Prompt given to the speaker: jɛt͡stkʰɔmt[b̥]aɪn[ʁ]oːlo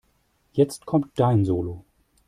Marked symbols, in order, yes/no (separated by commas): no, no